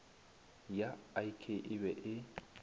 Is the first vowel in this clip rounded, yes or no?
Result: no